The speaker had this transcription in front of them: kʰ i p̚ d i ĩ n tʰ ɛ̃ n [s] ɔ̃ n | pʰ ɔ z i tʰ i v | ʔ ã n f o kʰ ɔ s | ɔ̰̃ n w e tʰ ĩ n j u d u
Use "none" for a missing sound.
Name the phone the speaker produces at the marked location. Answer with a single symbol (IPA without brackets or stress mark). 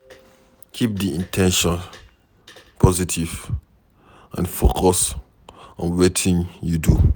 ʃ